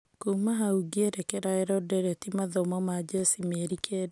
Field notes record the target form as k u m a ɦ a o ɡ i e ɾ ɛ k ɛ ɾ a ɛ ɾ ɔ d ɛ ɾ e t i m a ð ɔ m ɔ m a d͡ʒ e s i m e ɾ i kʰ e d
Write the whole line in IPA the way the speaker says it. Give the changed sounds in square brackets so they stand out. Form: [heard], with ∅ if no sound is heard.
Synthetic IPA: k u m a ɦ a [u] ɡ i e ɾ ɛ k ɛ ɾ a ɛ ɾ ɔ d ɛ ɾ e t i m a ð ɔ m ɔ m a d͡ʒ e s i m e ɾ i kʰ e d